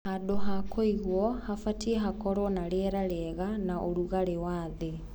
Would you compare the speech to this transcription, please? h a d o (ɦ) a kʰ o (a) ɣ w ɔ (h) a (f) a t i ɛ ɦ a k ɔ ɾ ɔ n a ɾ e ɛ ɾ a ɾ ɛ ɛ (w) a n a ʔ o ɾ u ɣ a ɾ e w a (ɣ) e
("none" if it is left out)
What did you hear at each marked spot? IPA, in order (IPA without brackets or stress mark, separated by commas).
ɦ, i, h, f, ɣ, ð